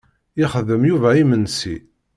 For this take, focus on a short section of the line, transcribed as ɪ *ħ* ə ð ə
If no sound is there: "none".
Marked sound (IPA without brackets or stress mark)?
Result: χ